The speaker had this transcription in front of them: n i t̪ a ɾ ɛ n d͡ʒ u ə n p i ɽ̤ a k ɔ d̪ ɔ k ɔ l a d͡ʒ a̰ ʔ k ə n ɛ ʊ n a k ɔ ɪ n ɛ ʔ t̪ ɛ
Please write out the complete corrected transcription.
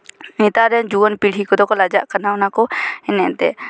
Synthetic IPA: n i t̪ a ɾ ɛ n d͡ʒ u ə n p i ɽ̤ i k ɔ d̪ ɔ k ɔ l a d͡ʒ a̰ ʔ k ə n a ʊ n a k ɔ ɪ n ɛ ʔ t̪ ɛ